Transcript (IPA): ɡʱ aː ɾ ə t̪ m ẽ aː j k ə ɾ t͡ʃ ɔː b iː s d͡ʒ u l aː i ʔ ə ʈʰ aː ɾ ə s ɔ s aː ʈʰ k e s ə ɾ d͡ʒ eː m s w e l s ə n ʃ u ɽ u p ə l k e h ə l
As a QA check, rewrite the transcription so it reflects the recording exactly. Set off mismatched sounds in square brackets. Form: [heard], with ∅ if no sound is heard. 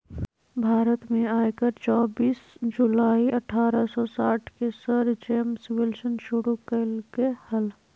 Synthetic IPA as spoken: [bʱ] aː ɾ ə t̪ m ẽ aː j k ə ɾ t͡ʃ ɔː b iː s d͡ʒ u l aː i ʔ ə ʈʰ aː ɾ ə s ɔ s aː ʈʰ k e s ə ɾ d͡ʒ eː m s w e l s ə n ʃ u ɽ u [k] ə l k e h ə l